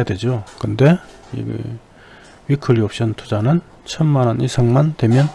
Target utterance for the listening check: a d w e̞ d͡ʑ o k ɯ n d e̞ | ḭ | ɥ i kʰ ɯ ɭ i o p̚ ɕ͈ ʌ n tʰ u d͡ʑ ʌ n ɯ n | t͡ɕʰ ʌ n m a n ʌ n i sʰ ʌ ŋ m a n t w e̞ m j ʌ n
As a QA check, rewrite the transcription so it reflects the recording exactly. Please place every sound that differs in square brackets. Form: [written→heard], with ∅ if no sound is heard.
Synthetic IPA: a d w e̞ d͡ʑ o k ɯ n d e̞ | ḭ | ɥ i kʰ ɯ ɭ i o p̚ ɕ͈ ʌ n tʰ u d͡ʑ [ʌ→a] n ɯ n | t͡ɕʰ ʌ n m a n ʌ n i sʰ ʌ ŋ m a n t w e̞ m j ʌ n